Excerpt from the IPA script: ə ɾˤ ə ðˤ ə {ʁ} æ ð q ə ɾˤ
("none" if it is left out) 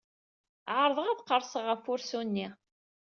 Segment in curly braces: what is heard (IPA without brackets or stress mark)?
ʁ